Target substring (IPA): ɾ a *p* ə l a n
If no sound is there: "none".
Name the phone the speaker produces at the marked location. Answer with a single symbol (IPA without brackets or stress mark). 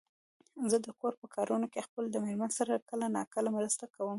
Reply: k